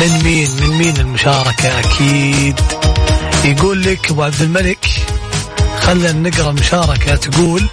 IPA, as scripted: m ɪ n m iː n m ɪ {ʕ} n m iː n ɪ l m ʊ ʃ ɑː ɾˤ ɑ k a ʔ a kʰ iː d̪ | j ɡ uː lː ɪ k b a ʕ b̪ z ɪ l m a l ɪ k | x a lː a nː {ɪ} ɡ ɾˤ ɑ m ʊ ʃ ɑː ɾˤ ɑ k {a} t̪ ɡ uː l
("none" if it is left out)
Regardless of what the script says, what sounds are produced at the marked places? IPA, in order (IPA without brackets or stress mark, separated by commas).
none, ɪ, a